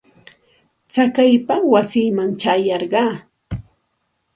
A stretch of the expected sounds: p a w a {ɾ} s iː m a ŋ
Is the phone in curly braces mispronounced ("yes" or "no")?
yes